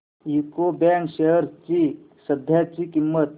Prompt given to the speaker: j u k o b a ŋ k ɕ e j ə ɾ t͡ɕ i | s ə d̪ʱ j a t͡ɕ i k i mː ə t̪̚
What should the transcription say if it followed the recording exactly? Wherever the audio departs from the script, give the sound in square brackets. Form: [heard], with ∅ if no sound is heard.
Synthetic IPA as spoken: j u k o b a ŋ k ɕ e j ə ɾ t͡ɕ i | s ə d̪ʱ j a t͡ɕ i k i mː ə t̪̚